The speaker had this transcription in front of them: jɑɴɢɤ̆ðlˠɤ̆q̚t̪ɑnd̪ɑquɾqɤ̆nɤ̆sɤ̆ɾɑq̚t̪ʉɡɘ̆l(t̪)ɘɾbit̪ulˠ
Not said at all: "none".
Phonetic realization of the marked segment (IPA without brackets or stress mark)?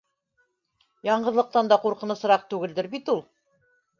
d̪